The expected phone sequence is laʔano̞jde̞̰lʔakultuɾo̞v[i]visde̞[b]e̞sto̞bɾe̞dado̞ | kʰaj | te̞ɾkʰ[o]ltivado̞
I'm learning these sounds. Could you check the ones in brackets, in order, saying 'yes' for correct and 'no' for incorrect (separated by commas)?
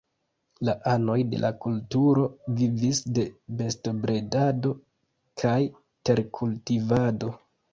yes, yes, no